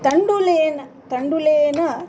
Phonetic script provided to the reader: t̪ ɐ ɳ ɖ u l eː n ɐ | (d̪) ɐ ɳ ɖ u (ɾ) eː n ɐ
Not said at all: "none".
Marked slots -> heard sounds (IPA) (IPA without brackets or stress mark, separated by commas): t̪, l